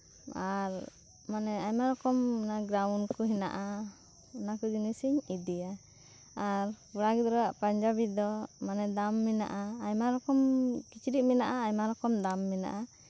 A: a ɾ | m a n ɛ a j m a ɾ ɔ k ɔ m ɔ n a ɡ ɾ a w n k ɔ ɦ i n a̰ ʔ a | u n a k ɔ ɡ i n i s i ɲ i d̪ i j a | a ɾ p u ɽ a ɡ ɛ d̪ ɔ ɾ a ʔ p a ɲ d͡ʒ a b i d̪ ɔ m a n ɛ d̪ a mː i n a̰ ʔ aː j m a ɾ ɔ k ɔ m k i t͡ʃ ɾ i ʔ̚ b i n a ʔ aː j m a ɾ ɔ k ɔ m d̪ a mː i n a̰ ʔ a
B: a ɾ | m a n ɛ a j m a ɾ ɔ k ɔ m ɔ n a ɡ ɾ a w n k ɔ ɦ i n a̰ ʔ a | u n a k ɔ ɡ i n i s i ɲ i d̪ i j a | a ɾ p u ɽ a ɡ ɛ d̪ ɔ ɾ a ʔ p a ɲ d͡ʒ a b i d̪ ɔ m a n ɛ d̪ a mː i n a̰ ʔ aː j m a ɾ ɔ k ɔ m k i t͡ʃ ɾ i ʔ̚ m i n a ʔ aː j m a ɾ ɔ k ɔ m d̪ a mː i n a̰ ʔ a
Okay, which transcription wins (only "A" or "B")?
B